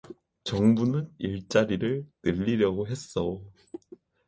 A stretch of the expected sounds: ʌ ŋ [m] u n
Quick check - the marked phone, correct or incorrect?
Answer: incorrect: b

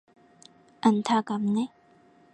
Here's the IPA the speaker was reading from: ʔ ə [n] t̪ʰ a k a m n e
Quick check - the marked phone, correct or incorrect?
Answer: correct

